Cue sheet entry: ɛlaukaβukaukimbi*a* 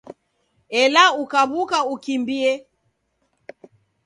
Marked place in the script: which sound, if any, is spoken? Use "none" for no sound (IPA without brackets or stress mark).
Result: ɛ